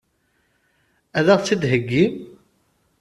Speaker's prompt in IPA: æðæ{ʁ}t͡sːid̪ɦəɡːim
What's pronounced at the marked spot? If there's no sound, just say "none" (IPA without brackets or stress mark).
ʁ